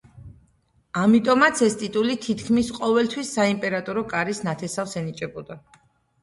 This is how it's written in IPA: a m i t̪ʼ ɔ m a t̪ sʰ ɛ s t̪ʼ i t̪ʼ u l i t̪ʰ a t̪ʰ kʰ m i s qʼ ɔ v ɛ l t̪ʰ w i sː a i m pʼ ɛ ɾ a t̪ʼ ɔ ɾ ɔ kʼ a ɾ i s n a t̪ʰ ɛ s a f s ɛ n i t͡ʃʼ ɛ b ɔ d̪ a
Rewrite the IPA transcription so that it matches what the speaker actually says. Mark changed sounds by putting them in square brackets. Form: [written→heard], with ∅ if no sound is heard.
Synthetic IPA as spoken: a m i t̪ʼ ɔ m a t̪ sʰ ɛ s t̪ʼ i t̪ʼ u l i t̪ʰ [a→i] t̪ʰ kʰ m i s qʼ ɔ v ɛ l t̪ʰ w i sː a i m pʼ ɛ ɾ a t̪ʼ ɔ ɾ ɔ kʼ a ɾ i s n a t̪ʰ ɛ s a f s ɛ n i t͡ʃʼ ɛ b ɔ d̪ a